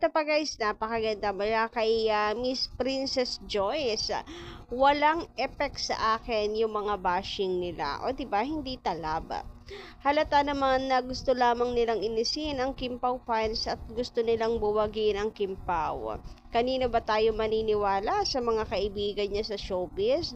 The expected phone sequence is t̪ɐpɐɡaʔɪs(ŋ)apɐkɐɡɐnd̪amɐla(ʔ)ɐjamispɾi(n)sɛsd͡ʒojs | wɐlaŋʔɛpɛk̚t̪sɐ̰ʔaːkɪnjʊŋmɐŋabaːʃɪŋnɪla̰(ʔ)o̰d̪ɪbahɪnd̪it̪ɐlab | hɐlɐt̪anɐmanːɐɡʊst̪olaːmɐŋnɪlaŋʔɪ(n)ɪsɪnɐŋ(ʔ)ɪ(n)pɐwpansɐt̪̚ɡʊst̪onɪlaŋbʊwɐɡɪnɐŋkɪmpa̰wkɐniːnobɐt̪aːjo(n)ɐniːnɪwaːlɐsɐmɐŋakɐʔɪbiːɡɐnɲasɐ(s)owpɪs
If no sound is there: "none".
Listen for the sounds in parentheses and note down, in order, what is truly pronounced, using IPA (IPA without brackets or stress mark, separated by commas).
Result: n, k, n, ʔ, n, k, m, m, ʃ